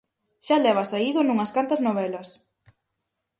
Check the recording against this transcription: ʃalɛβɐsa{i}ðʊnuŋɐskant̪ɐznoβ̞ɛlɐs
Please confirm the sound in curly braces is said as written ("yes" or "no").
yes